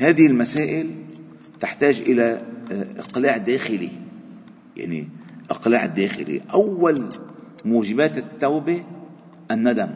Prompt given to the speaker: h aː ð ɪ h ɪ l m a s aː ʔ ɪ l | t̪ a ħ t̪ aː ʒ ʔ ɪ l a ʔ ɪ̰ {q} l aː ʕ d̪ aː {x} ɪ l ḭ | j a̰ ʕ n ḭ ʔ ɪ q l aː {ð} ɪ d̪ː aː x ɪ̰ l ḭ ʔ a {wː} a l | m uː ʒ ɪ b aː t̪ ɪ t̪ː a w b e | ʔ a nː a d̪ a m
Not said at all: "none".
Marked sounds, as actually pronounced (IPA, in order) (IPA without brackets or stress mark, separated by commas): q, x, ʕ, wː